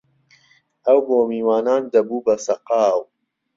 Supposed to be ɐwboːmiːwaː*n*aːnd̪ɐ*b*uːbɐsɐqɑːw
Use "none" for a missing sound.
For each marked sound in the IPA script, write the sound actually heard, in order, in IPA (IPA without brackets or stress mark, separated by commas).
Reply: n, b